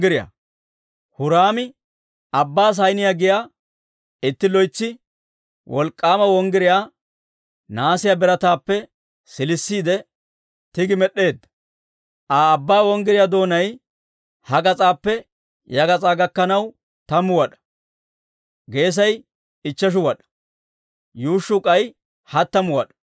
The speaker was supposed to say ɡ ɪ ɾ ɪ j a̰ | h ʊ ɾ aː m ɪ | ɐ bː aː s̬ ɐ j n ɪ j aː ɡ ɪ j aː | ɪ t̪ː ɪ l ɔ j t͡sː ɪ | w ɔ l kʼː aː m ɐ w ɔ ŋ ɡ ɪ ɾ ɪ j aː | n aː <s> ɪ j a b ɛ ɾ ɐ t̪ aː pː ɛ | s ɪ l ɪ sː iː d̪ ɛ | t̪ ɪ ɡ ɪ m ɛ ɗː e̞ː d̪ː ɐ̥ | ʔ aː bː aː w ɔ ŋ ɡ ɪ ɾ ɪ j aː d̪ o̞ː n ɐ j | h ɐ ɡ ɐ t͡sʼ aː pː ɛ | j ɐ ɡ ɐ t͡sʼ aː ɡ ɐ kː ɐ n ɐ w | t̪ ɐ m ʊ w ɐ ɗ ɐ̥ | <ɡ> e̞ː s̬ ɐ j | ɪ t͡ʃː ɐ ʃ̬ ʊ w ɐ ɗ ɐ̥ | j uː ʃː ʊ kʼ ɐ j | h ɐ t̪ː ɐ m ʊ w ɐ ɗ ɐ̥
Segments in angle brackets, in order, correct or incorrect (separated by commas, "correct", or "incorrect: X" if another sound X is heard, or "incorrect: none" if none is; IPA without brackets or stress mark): correct, correct